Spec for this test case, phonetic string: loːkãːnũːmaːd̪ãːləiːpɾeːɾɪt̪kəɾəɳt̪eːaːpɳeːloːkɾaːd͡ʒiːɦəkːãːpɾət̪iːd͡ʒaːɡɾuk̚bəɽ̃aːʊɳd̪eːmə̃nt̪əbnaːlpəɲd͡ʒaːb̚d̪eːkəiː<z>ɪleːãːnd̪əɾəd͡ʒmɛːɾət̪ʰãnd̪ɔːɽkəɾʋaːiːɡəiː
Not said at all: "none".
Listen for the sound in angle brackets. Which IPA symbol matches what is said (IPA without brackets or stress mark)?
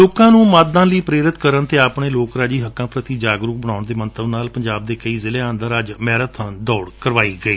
z